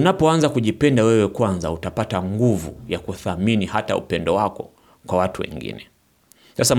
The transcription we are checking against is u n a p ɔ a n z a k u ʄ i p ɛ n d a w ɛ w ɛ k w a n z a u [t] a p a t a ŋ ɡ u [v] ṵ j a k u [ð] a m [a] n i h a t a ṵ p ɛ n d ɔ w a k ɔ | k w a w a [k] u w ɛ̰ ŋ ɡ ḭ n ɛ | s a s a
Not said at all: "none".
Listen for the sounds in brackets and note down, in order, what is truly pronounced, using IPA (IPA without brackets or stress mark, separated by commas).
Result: t, v, θ, i, t